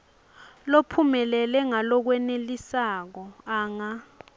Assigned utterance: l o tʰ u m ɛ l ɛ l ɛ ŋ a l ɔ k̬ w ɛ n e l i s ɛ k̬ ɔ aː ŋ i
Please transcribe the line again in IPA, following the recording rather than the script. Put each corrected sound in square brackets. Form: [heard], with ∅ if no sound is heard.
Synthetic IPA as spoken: l o [pʰ] u m ɛ l ɛ l ɛ ŋ a l ɔ k̬ w ɛ n e l i s [a] k̬ ɔ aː ŋ [a]